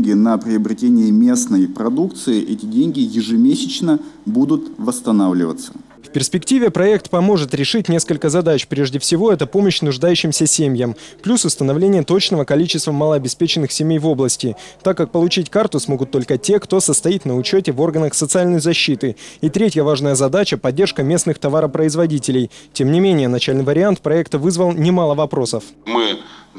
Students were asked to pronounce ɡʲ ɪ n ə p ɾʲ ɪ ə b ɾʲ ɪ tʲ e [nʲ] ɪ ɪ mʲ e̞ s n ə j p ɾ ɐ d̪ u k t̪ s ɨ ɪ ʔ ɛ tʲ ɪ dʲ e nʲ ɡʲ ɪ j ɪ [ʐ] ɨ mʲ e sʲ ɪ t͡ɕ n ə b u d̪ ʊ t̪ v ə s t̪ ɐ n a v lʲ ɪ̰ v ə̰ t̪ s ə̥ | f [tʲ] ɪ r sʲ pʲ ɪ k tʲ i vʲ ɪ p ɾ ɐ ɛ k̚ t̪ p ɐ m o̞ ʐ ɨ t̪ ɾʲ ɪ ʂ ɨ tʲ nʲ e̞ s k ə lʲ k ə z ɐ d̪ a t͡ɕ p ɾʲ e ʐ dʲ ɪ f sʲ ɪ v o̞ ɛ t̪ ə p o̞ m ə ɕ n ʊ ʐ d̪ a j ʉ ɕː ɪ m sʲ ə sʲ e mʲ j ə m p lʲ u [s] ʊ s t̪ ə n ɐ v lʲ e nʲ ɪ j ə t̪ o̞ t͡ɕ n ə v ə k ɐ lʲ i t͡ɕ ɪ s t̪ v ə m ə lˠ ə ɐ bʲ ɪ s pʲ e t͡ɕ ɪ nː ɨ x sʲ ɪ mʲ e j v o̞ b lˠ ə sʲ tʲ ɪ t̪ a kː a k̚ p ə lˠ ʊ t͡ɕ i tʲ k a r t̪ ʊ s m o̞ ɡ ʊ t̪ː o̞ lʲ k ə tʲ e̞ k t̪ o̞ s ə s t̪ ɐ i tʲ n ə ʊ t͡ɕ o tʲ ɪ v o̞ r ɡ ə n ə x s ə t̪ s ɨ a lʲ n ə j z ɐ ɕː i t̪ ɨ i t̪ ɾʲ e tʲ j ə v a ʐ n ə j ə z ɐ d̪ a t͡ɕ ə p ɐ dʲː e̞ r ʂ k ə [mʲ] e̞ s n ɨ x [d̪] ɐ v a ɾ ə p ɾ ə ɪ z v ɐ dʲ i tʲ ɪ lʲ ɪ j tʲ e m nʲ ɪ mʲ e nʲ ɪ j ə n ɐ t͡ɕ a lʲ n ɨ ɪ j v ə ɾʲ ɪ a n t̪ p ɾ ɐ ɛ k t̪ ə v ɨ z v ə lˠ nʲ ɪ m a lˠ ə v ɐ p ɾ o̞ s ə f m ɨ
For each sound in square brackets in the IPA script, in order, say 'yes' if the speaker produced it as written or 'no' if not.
yes, yes, no, yes, yes, no

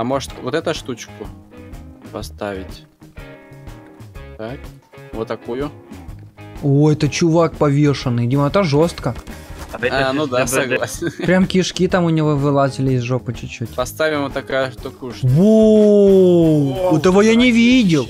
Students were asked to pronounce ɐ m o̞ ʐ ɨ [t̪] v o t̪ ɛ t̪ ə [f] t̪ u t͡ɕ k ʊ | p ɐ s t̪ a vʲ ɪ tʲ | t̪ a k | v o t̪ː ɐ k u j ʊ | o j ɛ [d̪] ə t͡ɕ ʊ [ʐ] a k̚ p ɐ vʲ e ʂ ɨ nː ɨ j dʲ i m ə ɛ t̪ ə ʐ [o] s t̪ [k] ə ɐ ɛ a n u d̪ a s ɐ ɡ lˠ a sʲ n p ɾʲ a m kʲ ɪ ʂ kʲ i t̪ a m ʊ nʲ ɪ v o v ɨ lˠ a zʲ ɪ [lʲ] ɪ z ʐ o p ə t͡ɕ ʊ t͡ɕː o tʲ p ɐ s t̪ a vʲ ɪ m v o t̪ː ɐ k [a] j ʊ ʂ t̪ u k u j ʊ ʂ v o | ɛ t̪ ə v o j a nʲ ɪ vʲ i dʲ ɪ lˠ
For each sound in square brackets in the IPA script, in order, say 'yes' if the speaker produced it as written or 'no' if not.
yes, no, no, no, yes, yes, yes, yes

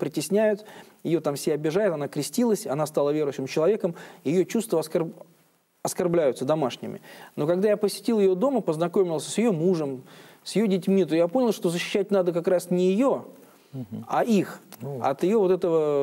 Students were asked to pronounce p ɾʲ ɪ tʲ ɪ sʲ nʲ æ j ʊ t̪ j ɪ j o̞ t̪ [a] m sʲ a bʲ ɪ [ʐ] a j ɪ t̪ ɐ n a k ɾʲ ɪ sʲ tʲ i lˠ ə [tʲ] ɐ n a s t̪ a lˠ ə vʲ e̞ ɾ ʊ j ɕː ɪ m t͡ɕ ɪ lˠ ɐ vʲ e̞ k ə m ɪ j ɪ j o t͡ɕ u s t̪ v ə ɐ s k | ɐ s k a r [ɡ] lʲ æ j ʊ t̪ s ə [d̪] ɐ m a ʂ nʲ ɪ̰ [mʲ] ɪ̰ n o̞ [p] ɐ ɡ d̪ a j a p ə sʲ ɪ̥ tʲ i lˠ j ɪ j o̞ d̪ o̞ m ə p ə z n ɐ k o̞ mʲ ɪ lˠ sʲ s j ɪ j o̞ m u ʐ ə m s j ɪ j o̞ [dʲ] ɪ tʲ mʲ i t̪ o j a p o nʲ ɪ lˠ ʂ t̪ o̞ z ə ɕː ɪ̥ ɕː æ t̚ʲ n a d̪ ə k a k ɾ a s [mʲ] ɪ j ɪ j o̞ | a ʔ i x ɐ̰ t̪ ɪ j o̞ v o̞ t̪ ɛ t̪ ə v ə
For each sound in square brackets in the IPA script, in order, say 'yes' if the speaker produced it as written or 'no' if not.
yes, yes, no, no, yes, yes, no, yes, no

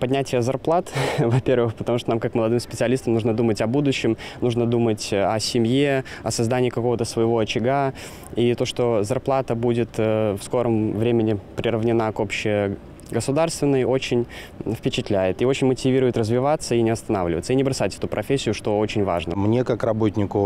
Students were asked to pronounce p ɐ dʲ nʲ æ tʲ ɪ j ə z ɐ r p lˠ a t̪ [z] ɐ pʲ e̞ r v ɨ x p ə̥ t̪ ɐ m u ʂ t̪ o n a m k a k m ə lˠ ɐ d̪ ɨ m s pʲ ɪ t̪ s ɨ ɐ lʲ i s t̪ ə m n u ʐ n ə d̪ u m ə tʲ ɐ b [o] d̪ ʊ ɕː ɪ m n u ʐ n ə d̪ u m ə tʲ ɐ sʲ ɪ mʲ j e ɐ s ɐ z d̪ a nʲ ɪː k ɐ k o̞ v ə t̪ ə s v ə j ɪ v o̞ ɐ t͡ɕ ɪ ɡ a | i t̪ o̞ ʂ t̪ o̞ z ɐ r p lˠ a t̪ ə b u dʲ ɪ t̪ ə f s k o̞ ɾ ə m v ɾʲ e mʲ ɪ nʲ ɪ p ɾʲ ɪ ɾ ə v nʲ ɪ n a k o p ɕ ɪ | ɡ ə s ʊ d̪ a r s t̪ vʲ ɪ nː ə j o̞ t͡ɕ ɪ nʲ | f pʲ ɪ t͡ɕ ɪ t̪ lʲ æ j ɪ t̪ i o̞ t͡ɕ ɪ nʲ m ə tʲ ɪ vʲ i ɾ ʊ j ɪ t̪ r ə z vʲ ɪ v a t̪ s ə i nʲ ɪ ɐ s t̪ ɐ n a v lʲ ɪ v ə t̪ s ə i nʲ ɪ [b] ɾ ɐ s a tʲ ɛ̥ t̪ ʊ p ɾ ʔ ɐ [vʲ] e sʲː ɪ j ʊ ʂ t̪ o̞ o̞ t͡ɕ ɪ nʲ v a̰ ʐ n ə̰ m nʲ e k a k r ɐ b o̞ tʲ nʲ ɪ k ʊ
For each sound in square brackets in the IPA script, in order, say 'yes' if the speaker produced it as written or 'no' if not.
no, no, yes, no

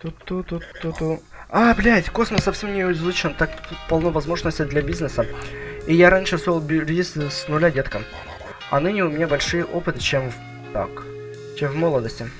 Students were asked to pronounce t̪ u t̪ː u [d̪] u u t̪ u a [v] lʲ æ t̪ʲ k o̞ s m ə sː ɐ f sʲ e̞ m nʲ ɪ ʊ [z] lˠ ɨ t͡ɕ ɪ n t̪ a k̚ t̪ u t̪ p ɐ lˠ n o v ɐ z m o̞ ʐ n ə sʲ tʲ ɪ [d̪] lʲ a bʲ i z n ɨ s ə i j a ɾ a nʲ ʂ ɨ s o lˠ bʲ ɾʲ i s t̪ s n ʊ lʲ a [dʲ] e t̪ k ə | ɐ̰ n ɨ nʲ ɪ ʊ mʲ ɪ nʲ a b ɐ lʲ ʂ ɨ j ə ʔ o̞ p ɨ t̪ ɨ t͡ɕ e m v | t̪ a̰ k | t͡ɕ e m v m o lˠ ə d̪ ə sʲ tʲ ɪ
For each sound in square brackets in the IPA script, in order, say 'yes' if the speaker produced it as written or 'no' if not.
no, no, yes, yes, yes

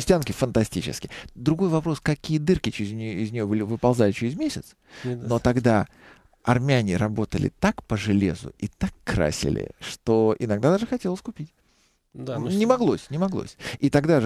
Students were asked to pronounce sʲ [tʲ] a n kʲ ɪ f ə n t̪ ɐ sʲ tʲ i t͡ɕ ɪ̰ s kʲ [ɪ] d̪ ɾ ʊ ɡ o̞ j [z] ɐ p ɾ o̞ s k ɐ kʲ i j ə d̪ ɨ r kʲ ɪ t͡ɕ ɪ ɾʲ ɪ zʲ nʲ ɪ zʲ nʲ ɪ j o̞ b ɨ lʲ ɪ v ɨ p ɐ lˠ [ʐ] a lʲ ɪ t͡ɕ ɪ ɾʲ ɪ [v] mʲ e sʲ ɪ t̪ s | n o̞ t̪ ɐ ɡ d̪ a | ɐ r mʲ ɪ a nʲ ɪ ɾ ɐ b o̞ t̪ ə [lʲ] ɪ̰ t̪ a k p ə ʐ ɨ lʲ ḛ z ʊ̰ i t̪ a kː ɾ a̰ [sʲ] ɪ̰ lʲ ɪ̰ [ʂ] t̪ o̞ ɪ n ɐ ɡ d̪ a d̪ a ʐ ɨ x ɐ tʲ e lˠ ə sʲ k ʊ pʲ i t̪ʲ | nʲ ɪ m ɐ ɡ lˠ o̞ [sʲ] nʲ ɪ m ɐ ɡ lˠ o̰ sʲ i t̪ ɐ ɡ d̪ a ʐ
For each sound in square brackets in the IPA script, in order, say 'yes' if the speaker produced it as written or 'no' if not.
yes, yes, no, no, no, yes, yes, yes, yes

